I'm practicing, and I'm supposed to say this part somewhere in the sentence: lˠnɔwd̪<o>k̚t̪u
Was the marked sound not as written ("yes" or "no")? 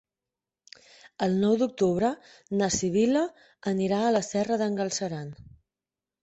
yes